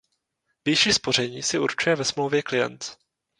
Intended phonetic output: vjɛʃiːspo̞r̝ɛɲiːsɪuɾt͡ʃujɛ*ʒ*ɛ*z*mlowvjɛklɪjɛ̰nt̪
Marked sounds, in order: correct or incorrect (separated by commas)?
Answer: incorrect, incorrect